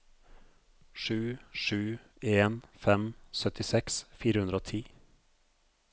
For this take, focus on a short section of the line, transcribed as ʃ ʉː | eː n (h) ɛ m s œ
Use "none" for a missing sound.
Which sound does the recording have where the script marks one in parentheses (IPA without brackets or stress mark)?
f